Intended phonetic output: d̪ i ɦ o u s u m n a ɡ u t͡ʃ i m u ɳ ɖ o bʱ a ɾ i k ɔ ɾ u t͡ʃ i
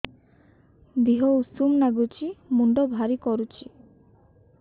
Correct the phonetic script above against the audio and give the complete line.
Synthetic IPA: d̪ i ɦ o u s u m n a ɡ u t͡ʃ i m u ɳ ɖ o bʱ a ɾ i k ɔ ɾ u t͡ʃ i

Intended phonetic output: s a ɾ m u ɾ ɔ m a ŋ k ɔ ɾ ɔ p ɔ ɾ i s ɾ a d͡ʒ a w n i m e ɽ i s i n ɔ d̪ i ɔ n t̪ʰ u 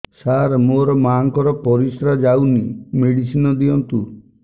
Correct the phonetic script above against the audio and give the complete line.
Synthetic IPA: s a ɾ m o ɾ ɔ m a ŋ k ɔ ɾ ɔ p ɔ ɾ i s ɾ a d͡ʒ a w n i m e ɽ i s i n ɔ d̪ i ɔ n t̪ u

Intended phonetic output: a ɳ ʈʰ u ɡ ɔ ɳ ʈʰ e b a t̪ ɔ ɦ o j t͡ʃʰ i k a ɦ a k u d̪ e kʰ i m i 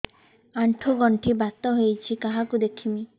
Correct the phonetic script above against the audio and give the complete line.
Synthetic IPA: a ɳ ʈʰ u ɡ ɔ ɳ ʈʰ i b a t̪ ɔ ɦ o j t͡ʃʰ i k a ɦ a k u d̪ e kʰ i m i

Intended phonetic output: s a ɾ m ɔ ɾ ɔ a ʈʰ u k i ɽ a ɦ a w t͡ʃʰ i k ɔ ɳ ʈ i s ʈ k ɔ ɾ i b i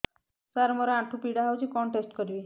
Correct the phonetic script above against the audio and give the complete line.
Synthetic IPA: s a ɾ m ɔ ɾ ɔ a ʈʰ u p i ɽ a ɦ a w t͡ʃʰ i k ɔ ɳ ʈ e s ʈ k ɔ ɾ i b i

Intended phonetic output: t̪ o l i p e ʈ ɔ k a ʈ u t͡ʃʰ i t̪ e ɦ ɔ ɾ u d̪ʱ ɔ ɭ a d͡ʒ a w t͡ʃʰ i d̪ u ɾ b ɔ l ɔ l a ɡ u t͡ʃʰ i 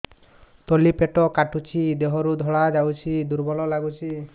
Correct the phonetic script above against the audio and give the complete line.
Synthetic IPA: t̪ o l i p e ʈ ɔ k a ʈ u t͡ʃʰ i d̪ e ɦ ɔ ɾ u d̪ʱ ɔ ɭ a d͡ʒ a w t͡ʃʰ i d̪ u ɾ b ɔ l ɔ l a ɡ u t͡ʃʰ i

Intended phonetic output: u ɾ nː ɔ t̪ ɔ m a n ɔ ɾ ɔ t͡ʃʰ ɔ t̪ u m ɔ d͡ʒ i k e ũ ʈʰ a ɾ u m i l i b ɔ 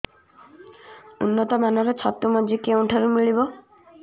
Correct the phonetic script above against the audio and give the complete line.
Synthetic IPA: u nː ɔ t̪ ɔ m a n ɔ ɾ ɔ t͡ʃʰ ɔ t̪ u m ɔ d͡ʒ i k e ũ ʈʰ a ɾ u m i ɭ i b ɔ

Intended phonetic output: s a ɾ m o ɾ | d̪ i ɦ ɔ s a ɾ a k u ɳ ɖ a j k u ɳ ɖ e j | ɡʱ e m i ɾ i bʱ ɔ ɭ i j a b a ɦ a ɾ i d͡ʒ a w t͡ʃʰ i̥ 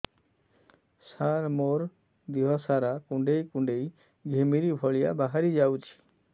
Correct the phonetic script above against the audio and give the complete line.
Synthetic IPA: s a ɾ m o ɾ | d̪ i ɦ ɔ s a ɾ a k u ɳ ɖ e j k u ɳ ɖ e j | ɡʱ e m i ɾ i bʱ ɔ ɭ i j a b a ɦ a ɾ i d͡ʒ a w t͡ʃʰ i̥

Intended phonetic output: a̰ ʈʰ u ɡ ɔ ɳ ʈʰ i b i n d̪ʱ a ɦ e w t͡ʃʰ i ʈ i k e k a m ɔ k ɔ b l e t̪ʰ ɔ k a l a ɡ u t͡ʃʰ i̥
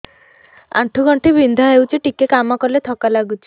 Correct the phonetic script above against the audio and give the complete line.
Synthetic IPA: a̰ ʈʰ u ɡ ɔ ɳ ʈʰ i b i n d̪ʱ a ɦ e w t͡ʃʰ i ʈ i k e k a m ɔ k ɔ l e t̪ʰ ɔ k a l a ɡ u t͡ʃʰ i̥

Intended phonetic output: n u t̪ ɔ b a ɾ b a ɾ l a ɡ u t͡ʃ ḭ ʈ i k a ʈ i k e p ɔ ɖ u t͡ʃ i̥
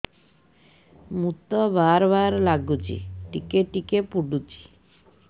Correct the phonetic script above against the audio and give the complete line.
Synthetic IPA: m u t̪ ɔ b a ɾ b a ɾ l a ɡ u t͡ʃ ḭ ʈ i k e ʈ i k e p u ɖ u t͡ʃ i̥

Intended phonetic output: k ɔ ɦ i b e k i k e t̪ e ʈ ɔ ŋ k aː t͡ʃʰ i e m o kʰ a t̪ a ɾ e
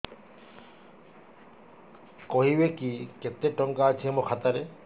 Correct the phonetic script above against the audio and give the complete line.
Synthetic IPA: k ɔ ɦ i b e k i k e t̪ e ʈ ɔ ŋ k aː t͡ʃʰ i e m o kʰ a t̪ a ɾ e

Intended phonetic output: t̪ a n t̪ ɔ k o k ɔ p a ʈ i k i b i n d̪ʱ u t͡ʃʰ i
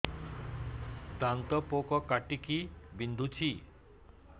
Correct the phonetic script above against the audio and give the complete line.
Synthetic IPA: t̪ a n t̪ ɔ p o k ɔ k a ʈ i k i b i n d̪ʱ u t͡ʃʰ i

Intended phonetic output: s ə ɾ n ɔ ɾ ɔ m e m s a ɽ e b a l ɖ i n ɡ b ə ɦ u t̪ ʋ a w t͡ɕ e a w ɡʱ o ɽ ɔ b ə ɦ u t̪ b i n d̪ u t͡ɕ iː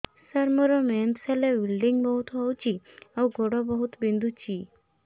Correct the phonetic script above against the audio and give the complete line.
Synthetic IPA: s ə ɾ m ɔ ɾ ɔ m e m s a l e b i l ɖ i ŋ ɡ b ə ɦ u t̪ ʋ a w t͡ɕ i a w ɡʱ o ɽ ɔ b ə ɦ u t̪ b i n d̪ u t͡ɕ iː

